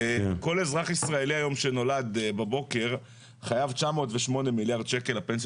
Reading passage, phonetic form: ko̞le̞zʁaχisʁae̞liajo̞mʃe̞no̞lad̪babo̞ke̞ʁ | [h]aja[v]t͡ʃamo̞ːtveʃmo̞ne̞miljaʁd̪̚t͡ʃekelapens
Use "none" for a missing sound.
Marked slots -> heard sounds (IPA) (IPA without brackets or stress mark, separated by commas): χ, v